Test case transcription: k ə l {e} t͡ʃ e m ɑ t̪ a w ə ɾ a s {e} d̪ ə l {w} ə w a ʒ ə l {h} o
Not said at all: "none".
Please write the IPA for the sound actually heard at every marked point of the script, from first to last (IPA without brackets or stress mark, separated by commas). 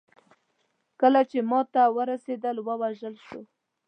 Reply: a, e, w, ʃ